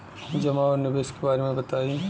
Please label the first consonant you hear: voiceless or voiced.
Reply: voiced